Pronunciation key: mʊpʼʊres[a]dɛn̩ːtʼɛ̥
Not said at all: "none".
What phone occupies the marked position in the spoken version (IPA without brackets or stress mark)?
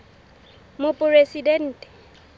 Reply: i